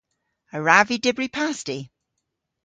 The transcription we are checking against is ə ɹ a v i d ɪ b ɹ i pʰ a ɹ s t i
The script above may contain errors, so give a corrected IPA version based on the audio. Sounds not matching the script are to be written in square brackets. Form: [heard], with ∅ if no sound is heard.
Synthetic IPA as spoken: ə ɹ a v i d ɪ b ɹ i pʰ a [∅] s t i